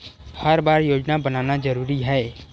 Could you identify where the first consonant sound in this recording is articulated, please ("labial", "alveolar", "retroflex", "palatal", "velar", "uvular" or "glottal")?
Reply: glottal